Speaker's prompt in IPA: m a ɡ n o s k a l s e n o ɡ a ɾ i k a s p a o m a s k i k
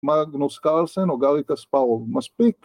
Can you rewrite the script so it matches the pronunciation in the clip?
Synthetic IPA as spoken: m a ɡ n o s k a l s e n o ɡ a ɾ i k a s p a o m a s p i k